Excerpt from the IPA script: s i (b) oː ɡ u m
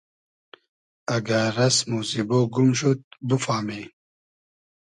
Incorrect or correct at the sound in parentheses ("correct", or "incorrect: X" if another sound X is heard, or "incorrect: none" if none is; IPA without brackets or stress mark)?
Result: correct